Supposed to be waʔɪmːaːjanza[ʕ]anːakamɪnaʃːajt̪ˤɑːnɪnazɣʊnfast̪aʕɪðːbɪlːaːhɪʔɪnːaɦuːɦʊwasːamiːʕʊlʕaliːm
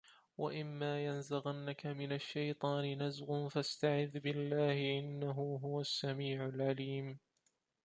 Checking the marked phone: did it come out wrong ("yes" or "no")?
yes